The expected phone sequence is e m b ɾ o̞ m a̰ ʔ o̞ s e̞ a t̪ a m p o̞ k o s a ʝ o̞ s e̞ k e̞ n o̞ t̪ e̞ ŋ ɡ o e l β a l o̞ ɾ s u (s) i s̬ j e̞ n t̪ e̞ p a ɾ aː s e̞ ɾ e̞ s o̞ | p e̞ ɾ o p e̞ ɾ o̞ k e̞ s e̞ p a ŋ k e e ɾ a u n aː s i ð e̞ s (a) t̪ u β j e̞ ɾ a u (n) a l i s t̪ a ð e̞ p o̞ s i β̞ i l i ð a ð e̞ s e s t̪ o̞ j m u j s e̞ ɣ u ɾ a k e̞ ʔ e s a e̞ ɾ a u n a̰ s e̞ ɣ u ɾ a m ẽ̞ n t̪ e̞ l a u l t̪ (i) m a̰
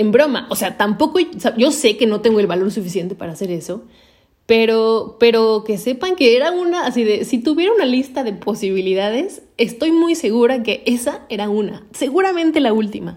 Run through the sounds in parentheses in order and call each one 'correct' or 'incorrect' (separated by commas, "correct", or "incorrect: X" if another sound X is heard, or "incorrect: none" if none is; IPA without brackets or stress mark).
incorrect: f, incorrect: i, correct, correct